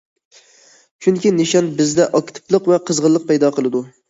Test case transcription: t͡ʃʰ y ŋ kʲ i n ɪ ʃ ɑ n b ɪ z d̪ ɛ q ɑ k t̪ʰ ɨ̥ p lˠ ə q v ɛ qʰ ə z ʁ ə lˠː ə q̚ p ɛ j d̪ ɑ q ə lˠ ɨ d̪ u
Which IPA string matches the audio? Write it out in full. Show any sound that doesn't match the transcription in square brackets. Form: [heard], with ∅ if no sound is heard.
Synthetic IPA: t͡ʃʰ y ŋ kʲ i n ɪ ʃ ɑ n b ɪ z d̪ ɛ [ʔ] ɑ k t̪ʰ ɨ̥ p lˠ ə q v ɛ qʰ ə z ʁ ə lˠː ə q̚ p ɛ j d̪ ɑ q ə lˠ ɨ d̪ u